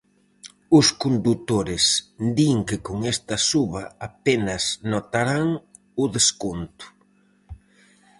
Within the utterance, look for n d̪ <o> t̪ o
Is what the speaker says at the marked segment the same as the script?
no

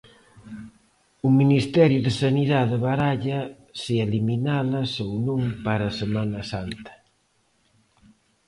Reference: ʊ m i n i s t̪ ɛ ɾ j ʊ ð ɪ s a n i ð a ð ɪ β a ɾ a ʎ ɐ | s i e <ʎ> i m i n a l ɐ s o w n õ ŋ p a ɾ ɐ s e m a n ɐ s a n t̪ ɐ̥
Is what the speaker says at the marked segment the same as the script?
no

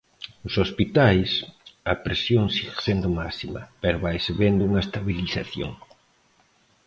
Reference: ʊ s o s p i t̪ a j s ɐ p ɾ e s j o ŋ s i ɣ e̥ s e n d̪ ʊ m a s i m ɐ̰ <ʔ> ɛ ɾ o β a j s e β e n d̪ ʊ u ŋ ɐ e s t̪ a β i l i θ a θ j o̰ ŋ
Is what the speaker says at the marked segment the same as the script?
no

